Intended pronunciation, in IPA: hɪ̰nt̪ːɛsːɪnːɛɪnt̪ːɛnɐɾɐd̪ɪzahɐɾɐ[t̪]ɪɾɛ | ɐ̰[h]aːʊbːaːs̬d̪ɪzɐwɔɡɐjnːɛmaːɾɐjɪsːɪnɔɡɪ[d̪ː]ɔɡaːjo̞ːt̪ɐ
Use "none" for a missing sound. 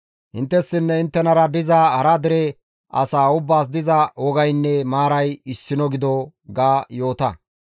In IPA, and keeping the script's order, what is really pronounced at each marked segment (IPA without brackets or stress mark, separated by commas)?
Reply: d̪, s, d̪